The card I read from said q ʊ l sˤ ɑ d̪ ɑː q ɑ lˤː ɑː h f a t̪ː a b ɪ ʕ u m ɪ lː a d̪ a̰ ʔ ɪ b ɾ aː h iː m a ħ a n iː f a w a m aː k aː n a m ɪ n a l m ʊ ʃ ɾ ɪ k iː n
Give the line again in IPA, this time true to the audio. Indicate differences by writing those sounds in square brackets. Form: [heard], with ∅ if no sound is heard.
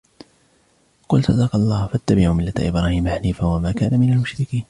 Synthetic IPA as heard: q ʊ l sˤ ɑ d̪ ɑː q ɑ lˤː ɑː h f a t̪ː a b ɪ ʕ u m ɪ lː a [t̪] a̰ ʔ ɪ b ɾ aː h iː m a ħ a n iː f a w a m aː k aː n a m ɪ n a l m ʊ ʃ ɾ ɪ k iː n